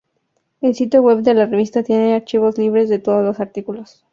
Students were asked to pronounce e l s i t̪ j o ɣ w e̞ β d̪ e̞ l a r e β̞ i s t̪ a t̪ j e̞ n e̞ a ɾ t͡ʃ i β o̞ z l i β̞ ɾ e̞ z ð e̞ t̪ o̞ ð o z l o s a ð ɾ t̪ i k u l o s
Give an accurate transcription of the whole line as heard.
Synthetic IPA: e l s i t̪ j o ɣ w e̞ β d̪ e̞ l a r e β̞ i s t̪ a t̪ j e̞ n e̞ a ɾ t͡ʃ i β o̞ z l i β̞ ɾ e̞ z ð e̞ t̪ o̞ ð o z l o s a ɾ t̪ i k u l o s